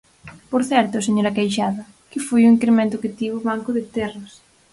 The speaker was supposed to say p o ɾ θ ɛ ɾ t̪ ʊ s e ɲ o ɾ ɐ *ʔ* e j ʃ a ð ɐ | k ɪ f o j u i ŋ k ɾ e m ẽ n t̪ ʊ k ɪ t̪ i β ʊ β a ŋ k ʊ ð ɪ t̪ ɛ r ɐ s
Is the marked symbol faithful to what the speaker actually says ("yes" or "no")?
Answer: no